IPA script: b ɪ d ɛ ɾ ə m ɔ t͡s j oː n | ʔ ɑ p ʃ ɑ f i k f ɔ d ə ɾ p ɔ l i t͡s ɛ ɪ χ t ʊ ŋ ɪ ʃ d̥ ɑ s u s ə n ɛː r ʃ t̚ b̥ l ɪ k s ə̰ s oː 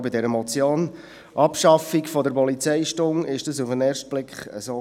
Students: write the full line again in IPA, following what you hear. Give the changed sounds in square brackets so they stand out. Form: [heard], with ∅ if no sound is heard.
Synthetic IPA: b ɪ d ɛ ɾ ə m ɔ t͡s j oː n | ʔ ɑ p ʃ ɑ f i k f ɔ d ə ɾ p ɔ l i t͡s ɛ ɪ [ʃ] t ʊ ŋ ɪ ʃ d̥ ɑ s u [f] ə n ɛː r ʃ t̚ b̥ l ɪ k [χ] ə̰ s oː